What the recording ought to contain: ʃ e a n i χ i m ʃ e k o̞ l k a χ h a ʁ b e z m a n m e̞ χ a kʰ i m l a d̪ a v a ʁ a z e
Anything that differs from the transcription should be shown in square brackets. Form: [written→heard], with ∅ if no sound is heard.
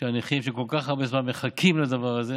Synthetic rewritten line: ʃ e a n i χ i m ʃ e k o̞ l k a χ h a ʁ b e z m a n m e̞ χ a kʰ i m l a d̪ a v a ʁ a z e